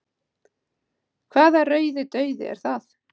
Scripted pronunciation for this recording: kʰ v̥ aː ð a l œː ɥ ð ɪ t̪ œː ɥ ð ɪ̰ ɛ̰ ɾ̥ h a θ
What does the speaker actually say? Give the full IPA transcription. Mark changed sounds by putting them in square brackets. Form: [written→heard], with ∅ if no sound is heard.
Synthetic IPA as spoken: kʰ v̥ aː ð a [l→r] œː ɥ ð ɪ t̪ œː ɥ ð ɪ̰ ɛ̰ ɾ̥ [h→θ] a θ